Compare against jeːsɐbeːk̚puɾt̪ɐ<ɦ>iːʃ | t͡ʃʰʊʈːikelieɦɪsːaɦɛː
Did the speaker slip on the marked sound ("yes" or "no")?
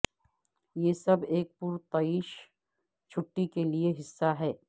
yes